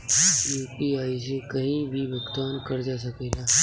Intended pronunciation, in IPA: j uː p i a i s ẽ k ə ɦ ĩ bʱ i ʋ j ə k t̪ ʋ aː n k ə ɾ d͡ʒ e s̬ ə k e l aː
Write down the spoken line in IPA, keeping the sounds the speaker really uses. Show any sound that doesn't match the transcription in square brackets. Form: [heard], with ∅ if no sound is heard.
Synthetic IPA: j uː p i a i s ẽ k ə ɦ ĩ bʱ i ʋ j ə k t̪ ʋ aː n k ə ɾ d͡ʒ [a] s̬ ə k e l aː